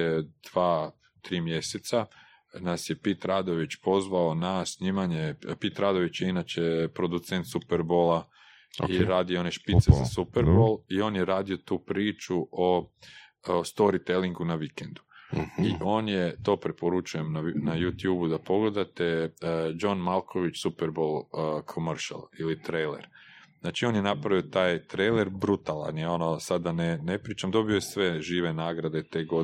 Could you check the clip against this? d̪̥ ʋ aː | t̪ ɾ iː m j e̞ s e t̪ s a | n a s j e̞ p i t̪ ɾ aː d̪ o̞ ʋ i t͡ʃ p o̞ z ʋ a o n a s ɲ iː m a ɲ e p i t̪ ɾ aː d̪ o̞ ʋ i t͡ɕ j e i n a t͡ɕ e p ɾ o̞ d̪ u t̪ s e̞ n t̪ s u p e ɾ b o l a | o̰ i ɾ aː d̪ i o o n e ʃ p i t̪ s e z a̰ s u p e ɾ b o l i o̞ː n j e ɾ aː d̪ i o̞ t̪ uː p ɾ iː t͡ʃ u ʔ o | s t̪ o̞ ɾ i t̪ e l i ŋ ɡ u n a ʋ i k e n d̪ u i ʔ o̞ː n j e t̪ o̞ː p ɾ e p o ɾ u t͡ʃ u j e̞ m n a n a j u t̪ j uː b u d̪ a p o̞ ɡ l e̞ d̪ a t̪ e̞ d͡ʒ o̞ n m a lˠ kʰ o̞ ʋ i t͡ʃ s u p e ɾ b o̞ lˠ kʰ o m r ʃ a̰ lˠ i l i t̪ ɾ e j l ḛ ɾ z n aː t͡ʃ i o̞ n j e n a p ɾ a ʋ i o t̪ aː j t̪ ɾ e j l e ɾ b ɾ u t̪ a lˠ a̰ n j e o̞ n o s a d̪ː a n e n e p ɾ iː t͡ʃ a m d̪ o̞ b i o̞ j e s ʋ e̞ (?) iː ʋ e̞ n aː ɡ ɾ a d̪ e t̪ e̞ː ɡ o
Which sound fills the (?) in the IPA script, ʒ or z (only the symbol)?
ʒ